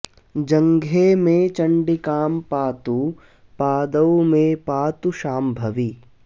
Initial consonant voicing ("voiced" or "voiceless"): voiced